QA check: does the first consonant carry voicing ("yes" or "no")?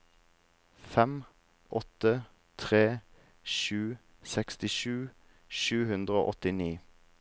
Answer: no